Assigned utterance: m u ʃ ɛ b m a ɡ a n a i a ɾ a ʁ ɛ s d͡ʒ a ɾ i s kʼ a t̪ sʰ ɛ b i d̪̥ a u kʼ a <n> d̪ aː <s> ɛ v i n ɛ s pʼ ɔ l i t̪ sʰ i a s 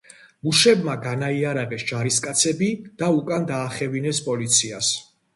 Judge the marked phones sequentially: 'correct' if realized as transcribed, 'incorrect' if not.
correct, incorrect: χ

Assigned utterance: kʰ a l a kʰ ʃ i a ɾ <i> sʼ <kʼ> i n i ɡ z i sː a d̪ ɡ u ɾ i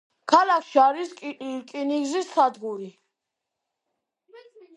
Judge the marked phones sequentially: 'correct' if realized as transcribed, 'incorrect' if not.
correct, correct

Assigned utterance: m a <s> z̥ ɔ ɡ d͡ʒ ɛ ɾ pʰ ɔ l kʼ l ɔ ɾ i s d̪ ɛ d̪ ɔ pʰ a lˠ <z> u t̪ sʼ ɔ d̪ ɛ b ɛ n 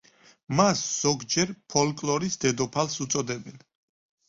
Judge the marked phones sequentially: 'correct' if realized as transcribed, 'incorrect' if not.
correct, incorrect: s

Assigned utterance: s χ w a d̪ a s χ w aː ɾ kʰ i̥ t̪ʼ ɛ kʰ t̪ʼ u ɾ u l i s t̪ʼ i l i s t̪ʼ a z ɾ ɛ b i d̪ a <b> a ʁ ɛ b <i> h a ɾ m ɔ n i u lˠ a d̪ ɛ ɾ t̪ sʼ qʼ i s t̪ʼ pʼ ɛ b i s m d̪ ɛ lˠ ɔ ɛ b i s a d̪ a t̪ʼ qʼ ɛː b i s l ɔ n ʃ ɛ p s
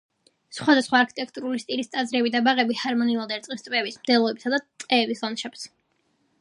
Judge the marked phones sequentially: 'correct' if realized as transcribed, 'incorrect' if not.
correct, correct

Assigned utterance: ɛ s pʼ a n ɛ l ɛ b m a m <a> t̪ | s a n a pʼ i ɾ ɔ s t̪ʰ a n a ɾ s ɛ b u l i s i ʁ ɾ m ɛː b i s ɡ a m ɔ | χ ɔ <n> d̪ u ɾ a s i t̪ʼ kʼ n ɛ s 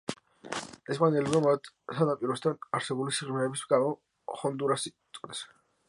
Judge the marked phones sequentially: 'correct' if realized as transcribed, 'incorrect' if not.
correct, correct

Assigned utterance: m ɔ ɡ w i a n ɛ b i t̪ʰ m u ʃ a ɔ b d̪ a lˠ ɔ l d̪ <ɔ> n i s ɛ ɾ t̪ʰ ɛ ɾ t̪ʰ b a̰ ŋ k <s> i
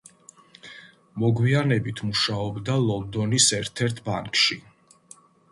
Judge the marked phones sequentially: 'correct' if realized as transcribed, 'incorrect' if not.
correct, incorrect: ʃ

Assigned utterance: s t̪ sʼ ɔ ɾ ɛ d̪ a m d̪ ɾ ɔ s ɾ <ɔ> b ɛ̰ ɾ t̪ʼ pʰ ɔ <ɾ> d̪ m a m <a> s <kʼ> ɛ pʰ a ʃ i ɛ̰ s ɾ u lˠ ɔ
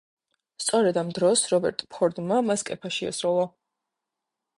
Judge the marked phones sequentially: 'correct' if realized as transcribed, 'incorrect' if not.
correct, correct, correct, correct

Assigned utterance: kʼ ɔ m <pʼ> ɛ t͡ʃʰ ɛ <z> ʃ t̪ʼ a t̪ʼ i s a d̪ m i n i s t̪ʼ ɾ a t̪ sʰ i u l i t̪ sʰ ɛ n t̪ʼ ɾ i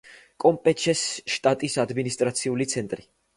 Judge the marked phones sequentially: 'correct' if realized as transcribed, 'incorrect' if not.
correct, incorrect: s

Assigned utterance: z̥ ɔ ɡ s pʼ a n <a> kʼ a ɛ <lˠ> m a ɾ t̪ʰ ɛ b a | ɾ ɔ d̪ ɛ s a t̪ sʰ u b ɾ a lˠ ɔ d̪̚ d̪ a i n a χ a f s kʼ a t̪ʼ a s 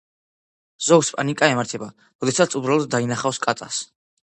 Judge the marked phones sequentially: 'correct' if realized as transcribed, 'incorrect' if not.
incorrect: i, incorrect: none

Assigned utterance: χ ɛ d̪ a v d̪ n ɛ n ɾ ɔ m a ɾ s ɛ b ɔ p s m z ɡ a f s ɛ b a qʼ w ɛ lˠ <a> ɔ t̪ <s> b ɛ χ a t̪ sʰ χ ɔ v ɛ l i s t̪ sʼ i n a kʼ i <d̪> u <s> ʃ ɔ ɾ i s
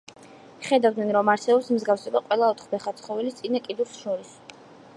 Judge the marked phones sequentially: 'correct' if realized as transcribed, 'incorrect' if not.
correct, incorrect: χ, correct, correct

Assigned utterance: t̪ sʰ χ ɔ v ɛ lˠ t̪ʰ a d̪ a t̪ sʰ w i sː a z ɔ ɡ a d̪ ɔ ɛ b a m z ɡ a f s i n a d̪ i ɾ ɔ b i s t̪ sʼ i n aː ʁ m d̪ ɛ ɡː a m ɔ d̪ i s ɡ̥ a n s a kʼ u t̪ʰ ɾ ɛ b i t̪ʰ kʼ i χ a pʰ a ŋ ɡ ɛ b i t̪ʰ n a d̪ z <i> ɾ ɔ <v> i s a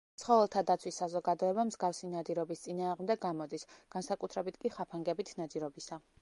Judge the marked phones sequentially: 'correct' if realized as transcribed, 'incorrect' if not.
correct, incorrect: b

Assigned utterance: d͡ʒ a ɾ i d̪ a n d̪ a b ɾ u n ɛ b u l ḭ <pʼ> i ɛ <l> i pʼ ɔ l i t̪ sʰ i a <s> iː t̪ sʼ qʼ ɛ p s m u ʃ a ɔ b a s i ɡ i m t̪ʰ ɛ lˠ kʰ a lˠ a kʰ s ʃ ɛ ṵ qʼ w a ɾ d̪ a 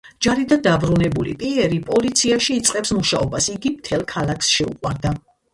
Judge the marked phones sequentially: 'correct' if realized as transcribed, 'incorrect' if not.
correct, incorrect: ɾ, incorrect: ʃ

